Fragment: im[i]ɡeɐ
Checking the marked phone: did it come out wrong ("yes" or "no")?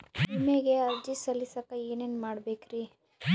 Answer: yes